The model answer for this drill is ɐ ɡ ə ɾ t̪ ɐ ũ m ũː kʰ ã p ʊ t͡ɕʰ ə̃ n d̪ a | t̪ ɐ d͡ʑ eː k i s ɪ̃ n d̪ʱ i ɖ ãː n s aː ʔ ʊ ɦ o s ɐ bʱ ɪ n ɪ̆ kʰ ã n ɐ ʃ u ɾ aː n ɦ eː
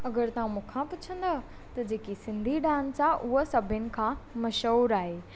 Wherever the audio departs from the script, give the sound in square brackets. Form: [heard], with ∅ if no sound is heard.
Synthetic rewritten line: ɐ ɡ ə ɾ t̪ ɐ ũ m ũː kʰ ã p ʊ t͡ɕʰ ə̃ n d̪ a | t̪ ɐ d͡ʑ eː k i s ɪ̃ n d̪ʱ i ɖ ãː n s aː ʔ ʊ ɦ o s ɐ bʱ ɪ n ɪ̆ kʰ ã [m] ɐ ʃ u ɾ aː [∅] ɦ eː